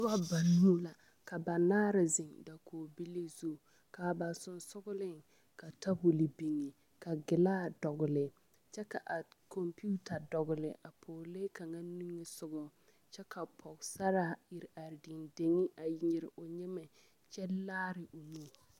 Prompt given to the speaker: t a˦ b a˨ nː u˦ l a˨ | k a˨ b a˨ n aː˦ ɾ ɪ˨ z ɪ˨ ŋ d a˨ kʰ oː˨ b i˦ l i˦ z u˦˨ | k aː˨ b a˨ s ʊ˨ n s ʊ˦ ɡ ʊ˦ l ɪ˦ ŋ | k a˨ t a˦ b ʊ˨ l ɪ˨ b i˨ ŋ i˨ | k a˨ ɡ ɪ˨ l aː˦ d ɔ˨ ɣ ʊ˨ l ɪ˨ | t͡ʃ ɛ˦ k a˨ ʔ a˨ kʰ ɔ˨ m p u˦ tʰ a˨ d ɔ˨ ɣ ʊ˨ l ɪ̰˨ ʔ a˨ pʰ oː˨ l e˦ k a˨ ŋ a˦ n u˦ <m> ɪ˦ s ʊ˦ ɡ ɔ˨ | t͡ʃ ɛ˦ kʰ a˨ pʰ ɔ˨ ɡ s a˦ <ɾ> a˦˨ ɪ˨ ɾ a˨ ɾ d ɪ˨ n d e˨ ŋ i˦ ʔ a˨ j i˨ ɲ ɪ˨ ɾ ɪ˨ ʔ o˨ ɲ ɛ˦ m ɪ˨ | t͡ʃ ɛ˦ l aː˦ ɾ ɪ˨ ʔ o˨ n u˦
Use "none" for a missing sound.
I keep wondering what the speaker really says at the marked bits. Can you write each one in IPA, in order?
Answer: ŋ, ɾ

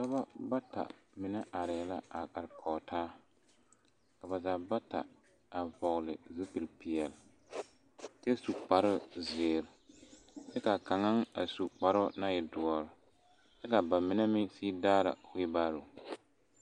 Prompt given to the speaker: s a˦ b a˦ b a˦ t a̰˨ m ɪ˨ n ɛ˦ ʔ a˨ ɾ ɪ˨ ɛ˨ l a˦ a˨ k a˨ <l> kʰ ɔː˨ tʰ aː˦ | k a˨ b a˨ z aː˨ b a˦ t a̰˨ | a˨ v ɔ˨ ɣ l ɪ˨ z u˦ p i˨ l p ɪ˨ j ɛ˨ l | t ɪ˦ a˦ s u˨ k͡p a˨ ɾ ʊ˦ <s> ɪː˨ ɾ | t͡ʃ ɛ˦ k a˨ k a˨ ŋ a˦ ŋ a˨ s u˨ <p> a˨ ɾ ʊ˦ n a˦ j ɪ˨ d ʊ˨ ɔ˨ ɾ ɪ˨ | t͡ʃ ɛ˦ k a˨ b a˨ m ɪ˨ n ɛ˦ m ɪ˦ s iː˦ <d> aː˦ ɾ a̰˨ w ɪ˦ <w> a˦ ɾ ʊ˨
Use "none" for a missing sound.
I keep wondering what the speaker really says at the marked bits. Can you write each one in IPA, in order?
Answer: ɾ, z, k͡p, d, b

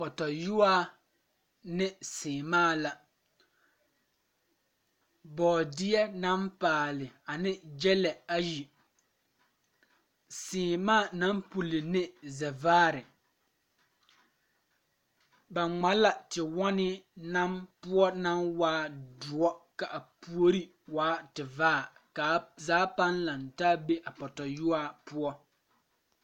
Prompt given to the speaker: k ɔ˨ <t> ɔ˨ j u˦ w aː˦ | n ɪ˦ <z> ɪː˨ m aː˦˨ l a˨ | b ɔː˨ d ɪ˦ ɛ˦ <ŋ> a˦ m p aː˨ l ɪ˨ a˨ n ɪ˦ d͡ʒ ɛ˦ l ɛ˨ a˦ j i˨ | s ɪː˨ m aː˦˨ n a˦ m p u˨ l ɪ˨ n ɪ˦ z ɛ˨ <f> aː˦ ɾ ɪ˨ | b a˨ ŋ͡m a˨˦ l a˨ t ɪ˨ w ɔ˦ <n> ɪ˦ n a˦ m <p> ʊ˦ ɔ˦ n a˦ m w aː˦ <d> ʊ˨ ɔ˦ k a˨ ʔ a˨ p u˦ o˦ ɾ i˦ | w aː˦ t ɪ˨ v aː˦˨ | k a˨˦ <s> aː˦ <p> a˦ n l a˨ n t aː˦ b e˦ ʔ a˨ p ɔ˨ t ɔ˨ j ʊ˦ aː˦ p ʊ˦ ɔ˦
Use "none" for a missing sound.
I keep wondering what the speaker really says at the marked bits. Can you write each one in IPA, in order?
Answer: t, s, n, v, n, p, d, z, p

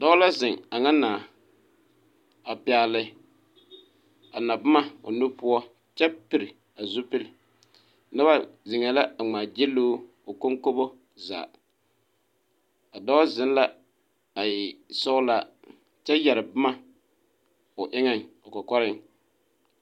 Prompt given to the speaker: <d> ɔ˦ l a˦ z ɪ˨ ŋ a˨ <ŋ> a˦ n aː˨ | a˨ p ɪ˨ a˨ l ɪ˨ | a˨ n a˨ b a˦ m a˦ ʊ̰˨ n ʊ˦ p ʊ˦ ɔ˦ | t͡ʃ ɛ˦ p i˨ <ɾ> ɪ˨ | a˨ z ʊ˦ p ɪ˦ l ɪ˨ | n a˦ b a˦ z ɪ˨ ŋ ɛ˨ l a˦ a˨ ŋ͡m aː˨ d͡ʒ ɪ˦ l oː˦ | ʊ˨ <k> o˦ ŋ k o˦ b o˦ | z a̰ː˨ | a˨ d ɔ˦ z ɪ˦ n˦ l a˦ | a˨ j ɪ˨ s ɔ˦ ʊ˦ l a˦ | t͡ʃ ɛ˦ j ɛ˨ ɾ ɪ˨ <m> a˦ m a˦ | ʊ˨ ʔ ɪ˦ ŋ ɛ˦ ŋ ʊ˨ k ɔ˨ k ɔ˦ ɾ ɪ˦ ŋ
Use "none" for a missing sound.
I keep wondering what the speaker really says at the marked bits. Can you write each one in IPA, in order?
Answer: d, ŋ, ɾ, k, b

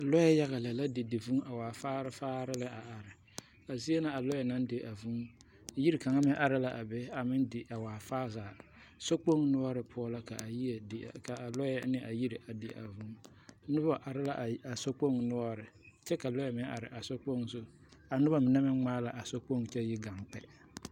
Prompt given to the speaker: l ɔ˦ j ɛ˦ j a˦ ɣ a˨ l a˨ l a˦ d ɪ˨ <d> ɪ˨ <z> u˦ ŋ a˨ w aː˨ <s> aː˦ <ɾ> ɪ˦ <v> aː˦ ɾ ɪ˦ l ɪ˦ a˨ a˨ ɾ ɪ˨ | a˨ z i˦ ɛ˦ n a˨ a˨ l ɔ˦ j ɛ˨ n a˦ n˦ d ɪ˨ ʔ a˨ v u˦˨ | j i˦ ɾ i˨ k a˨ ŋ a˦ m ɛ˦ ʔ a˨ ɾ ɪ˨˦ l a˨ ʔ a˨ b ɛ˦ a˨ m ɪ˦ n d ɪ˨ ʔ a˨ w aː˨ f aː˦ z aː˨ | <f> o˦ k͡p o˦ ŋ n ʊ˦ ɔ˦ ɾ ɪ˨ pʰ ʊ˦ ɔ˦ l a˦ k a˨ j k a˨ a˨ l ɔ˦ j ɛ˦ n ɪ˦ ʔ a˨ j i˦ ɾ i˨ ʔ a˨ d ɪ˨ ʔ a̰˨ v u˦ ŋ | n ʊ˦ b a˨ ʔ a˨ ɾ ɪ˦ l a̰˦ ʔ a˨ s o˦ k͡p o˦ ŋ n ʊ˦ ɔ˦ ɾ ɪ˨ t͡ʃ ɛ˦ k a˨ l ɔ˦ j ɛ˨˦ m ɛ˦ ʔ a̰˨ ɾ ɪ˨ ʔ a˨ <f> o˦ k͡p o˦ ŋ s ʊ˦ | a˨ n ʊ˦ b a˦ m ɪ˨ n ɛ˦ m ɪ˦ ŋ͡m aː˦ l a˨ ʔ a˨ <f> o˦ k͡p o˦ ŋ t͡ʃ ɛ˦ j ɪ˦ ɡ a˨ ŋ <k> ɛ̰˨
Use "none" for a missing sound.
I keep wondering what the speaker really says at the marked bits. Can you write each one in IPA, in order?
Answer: d, v, f, ɾ, f, s, s, s, k͡p

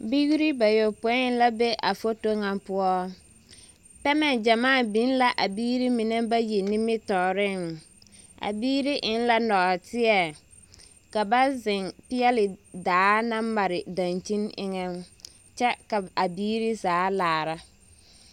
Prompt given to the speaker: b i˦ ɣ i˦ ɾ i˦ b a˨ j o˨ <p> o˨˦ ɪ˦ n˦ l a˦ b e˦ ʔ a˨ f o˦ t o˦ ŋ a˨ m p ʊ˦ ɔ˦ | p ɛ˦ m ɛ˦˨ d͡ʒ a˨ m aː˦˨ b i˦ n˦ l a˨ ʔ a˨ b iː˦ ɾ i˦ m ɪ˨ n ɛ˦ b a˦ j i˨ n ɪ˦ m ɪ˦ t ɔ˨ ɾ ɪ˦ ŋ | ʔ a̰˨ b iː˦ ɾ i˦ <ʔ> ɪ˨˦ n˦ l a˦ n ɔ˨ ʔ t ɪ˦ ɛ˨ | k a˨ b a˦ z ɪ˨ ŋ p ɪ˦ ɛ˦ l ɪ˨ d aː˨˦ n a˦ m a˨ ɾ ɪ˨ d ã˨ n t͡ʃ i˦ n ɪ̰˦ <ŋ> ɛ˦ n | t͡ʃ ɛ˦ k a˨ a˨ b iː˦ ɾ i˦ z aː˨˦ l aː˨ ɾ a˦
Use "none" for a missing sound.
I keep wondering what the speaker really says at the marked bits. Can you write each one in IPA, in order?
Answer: p, ʔ, ŋ

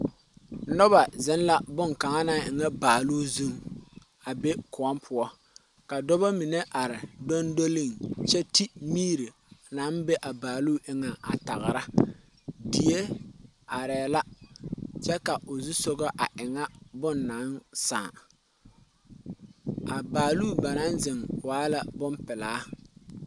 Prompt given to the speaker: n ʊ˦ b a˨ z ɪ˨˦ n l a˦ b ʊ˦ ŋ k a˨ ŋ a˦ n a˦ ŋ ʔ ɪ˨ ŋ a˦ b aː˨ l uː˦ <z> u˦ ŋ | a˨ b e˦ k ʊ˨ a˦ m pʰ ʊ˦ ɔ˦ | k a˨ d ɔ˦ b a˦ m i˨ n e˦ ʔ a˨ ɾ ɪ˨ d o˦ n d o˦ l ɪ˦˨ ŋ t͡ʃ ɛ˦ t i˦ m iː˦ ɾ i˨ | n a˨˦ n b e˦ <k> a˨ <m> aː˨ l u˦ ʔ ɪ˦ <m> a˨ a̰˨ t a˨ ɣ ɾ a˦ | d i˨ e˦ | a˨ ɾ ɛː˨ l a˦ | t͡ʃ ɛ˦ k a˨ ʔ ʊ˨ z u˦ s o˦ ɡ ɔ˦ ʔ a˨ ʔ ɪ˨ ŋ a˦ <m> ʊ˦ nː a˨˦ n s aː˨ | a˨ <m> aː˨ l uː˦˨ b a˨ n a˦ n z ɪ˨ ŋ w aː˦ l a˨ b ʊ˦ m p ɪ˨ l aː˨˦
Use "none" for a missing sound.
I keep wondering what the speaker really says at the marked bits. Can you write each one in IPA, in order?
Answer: z, ʔ, b, ŋ, b, b

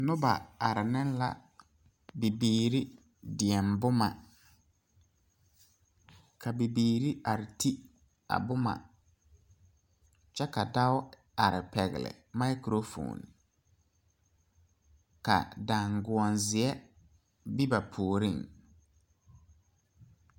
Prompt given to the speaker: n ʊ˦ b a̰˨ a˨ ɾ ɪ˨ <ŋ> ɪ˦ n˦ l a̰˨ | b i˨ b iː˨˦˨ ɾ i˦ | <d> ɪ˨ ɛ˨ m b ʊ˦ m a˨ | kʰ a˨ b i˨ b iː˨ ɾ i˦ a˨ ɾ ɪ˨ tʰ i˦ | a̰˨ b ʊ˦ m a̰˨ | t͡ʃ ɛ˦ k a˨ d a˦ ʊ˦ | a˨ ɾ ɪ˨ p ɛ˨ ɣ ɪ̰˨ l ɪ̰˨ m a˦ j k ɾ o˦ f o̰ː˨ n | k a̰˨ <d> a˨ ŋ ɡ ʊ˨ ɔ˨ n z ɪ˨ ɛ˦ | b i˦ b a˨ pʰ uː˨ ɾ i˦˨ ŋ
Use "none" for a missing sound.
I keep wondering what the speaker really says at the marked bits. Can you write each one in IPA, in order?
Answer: n, d, d

